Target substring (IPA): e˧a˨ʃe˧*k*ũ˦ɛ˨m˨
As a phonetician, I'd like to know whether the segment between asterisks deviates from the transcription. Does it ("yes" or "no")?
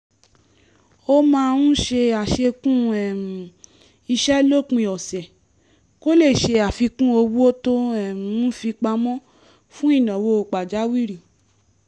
no